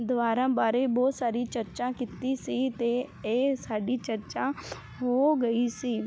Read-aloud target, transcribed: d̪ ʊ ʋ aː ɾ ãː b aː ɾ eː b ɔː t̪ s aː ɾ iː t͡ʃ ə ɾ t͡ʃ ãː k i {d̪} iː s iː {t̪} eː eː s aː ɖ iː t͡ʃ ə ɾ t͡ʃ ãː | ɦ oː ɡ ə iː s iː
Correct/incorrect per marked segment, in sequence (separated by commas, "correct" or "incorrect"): incorrect, correct